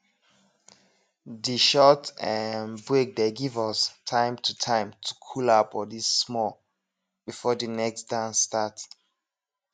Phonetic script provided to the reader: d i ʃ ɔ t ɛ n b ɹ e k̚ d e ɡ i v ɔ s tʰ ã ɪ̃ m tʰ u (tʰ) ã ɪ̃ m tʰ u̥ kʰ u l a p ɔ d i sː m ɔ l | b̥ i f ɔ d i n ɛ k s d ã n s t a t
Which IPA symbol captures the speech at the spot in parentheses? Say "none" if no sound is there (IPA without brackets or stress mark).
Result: tʰ